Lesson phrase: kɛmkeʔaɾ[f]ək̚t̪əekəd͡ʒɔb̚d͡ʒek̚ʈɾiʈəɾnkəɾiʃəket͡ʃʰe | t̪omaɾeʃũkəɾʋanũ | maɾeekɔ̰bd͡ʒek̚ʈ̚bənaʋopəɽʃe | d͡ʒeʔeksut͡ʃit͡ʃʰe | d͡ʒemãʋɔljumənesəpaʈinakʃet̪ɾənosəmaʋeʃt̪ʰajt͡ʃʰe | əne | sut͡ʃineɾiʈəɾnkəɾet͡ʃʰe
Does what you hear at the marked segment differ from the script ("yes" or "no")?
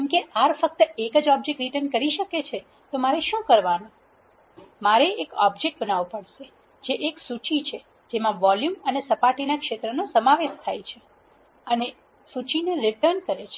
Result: no